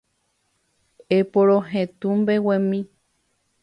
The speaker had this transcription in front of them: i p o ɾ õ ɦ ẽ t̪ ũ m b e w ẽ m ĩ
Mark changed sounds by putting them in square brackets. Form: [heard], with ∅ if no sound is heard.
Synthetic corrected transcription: [e] p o ɾ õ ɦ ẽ t̪ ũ m b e w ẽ m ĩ

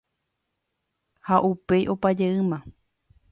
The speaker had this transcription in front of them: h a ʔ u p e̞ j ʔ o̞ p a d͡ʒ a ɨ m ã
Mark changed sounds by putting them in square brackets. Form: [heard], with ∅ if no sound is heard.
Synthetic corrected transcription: h a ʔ u p e̞ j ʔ o̞ p a d͡ʒ [e] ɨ m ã

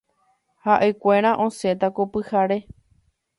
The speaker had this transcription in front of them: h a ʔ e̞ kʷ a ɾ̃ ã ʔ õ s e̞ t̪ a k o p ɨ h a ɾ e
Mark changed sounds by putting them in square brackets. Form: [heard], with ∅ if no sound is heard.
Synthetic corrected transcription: h a ʔ e̞ kʷ [e] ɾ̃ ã ʔ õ s e̞ t̪ a k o p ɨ h a ɾ e

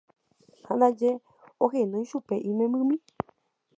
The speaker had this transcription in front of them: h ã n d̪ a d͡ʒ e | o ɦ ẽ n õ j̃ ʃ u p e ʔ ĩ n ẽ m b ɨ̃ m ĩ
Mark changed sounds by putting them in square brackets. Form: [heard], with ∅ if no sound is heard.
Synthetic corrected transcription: h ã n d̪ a d͡ʒ e | o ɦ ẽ n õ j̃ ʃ u p e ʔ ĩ [m] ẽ m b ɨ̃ m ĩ

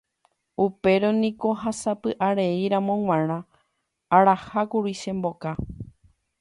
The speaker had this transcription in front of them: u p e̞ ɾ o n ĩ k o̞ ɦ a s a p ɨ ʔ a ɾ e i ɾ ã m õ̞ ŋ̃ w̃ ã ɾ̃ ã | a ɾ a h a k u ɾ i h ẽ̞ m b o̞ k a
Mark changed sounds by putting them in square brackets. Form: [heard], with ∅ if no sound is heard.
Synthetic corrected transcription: u p e̞ ɾ o n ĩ k o̞ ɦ a s a p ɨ ʔ a ɾ e i ɾ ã m õ̞ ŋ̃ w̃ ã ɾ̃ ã | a ɾ a h a k u ɾ i [ʃ] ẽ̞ m b o̞ k a

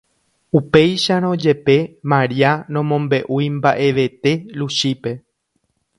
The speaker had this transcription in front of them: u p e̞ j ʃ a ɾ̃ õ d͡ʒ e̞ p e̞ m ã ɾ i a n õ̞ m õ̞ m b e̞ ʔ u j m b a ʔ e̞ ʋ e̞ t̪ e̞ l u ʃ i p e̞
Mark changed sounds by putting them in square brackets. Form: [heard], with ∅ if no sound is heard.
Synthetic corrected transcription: u p e̞ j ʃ a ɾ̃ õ d͡ʒ e̞ p e̞ m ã ɾ i a n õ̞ m õ̞ m b e̞ ʔ u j m b a ʔ e̞ ʋ e̞ t̪ e̞ l u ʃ i p e̞

